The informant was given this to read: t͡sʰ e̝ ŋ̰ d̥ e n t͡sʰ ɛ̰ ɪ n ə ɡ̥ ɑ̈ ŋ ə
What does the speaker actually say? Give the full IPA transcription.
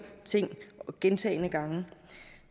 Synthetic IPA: t͡sʰ e̝ ŋ̰ ɡ̥ e n t͡sʰ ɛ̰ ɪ n ə ɡ̥ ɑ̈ ŋ ə

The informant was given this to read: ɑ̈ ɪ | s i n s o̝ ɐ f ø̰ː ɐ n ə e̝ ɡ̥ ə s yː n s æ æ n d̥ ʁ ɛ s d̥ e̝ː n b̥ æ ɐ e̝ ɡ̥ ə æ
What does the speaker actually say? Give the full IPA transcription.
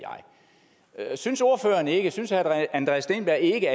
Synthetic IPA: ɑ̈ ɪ | s y n s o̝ ɐ f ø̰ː ɐ n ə e̝ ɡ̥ ə s y n s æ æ n d̥ ʁ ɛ s d̥ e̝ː n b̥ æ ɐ e̝ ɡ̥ ə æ

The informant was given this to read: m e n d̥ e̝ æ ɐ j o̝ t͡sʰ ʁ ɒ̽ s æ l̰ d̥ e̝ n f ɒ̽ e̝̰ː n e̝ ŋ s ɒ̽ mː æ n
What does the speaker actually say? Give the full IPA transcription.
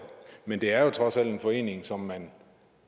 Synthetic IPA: m e n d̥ e̝ æ ɐ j o̝ t͡sʰ ʁ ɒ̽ s æ l̰ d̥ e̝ n f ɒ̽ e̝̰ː n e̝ ŋ s ɒ̽ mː æ n

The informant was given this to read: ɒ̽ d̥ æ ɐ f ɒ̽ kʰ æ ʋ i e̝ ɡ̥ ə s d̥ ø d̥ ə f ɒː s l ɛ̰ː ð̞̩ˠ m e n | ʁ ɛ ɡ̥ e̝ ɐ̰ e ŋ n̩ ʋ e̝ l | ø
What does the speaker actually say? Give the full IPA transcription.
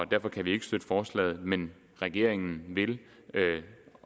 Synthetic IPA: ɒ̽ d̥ æ ɐ f ɒ̽ kʰ æ ʋ i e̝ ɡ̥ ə s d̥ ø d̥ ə f ɒː s l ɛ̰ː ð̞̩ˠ m e n | ʁ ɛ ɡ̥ e̝ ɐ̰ e ŋ n̩ ʋ e̝ l | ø

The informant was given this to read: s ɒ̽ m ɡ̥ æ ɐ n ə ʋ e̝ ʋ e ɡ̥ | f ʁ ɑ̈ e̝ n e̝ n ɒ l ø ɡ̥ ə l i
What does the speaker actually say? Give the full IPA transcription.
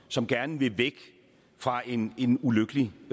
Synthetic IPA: s ɒ̽ m ɡ̥ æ ɐ n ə ʋ e̝ ʋ e ɡ̥ | f ʁ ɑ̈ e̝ n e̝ n u l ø ɡ̥ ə l i

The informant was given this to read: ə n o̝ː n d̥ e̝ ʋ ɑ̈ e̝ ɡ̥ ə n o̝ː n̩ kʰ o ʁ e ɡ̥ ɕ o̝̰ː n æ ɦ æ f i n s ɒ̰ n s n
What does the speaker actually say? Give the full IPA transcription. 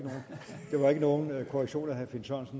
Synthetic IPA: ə n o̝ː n d̥ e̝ ʋ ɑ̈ e̝ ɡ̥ ə n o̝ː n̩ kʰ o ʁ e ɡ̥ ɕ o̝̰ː n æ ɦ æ f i n s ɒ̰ n s n

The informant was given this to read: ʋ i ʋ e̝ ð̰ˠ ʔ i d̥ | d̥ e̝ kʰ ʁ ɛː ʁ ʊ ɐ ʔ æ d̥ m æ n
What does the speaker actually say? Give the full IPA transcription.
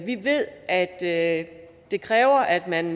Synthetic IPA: ʋ i ʋ e̝ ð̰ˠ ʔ æ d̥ | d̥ e̝ kʰ ʁ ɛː ʊ ɐ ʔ æ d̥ m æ n

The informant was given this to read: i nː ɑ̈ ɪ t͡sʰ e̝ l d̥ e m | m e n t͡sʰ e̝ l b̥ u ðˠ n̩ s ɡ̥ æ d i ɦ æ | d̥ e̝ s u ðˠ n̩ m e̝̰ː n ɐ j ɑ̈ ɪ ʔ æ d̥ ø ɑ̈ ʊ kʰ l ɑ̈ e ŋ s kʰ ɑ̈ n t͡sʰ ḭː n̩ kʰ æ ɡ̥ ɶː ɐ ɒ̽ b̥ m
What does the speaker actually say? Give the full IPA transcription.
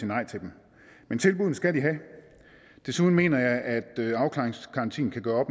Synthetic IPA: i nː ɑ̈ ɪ t͡sʰ e̝ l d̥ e m | m e n t͡sʰ e̝ l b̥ u ðˠ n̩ s ɡ̥ æ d i ɦ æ | d̥ e̝ s u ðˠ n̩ m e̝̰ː n ɐ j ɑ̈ ɪ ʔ æ d̥ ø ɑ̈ ʊ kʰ l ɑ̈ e ŋ s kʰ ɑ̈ n t͡sʰ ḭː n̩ kʰ æ ɡ̥ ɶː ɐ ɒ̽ b̥ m

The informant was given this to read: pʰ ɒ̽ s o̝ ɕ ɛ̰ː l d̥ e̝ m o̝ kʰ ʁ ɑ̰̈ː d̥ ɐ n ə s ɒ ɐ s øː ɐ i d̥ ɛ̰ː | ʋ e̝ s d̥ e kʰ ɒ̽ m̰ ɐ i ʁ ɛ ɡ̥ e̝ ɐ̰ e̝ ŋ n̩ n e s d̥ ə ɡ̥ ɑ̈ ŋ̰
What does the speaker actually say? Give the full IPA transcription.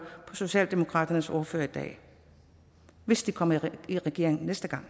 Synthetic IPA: pʰ ɒ̽ s o̝ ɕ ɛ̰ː l d̥ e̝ m o̝ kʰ ʁ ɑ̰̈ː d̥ ɐ n ə s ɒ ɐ f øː ɐ i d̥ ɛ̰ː | ʋ e̝ s d̥ i kʰ ɒ̽ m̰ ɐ i ʁ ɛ ɡ̥ e̝ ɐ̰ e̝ ŋ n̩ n e s d̥ ə ɡ̥ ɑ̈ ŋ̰

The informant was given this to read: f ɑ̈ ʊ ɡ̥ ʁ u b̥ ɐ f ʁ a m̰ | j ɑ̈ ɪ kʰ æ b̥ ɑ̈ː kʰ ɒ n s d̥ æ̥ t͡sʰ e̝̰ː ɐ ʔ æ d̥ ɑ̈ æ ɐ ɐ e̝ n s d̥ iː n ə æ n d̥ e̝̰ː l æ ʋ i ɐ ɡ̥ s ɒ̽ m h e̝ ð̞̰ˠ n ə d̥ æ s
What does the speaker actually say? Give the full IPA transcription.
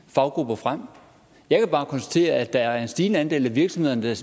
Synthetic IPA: f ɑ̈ ʊ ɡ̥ ʁ u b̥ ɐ f ʁ a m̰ | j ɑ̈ ɪ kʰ æ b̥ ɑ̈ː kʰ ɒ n s d̥ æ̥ t͡sʰ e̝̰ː ɐ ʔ æ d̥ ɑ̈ æ ɐ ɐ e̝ n s d̥ iː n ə æ n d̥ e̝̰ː l æ ʋ i ɐ ɡ̥ s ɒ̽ m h e̝ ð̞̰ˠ n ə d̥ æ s

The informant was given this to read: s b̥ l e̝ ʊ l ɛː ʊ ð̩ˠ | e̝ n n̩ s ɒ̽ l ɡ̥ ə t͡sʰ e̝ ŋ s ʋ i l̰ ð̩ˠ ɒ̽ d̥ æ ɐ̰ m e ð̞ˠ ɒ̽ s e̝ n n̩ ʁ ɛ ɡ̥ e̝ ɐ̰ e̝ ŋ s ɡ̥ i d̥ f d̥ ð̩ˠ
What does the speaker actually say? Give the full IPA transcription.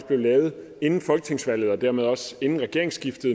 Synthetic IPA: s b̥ l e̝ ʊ l ɛː ʊ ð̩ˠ | e̝ n n̩ f ɒ̽ l ɡ̥ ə t͡sʰ e̝ ŋ s ʋ æ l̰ ð̩ˠ ɒ̽ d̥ æ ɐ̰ m e ð̞ˠ ɒ̽ s e̝ n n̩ ʁ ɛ ɡ̥ e̝ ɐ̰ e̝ ŋ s ɡ̥ i f d̥ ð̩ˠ

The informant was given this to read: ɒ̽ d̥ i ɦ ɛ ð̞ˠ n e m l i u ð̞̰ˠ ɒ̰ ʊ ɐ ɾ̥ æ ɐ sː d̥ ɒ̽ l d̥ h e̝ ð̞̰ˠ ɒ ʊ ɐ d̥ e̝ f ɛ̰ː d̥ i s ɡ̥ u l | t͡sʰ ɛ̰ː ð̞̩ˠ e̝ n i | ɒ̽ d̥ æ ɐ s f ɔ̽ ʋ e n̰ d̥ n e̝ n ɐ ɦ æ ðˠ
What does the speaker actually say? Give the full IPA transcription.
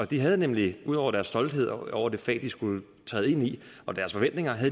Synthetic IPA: ɒ̽ d̥ i ɦ æ ð̞ˠ n e m l i u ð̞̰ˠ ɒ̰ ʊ ɐ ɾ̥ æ ɐ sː d̥ ɒ̽ l d̥ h e̝ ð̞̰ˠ ɒ ʊ ɐ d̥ e̝ f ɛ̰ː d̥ i s ɡ̥ u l | t͡sʰ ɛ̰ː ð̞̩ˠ e̝ n i | ɒ̽ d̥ æ ɐ s f ɒ̽ ʋ e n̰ d̥ n e̝ ŋ ɐ ɦ æ ðˠ

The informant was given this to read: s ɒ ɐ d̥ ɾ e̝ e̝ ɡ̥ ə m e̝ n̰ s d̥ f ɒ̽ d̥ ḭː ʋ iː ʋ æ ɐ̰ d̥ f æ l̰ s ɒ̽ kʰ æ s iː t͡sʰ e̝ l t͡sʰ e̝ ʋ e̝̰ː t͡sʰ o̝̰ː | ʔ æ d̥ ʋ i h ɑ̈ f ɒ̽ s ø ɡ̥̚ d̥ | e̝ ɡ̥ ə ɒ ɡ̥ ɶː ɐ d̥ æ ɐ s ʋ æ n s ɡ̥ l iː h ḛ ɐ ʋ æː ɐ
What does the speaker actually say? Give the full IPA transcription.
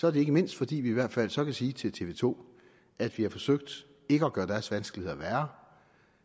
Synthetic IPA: s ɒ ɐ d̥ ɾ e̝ e̝ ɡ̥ ə m e̝ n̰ s d̥ f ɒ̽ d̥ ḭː ʋ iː ʋ æ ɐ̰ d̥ f æ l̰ s ɒ̽ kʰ æ s iː t͡sʰ e̝ l t͡sʰ e̝ ʋ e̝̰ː t͡sʰ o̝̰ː | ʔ æ d̥ ʋ i h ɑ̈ f ɒ̽ s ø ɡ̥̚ d̥ | e̝ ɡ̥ ə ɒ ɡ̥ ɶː ɐ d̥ æ ɐ s ʋ æ n s ɡ̥ l i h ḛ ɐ ʋ æː ɐ

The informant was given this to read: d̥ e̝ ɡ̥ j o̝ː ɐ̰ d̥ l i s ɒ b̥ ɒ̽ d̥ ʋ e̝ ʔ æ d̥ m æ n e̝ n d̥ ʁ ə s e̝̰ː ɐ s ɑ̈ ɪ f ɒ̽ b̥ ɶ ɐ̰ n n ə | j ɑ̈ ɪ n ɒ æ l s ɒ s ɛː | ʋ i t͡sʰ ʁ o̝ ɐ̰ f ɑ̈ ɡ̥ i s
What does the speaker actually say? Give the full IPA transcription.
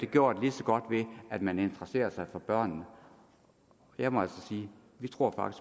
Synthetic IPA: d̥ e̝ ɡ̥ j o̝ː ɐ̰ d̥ l i s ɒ ɡ̥ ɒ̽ d̥ ʋ e̝ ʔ æ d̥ m æ n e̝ n d̥ ʁ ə s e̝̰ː ɐ s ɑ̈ ɪ f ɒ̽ b̥ ɶ ɐ̰ n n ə | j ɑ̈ ɪ m ɒ æ l s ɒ s iː | ʋ i t͡sʰ ʁ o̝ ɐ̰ f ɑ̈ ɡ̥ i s

